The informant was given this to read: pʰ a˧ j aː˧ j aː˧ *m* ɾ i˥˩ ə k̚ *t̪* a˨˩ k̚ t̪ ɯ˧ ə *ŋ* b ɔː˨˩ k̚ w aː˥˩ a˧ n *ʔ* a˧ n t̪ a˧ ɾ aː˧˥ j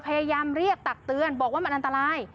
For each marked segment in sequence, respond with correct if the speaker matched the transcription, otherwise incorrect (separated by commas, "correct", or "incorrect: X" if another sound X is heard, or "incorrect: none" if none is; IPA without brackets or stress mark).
correct, correct, incorrect: n, correct